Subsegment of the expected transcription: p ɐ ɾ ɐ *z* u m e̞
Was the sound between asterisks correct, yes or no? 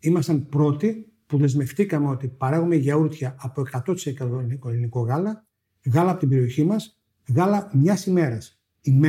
no